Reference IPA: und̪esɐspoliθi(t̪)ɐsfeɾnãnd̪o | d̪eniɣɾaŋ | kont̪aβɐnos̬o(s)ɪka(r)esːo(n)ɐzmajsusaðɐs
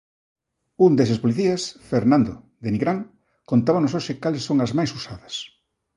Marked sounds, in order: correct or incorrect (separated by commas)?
incorrect, incorrect, incorrect, incorrect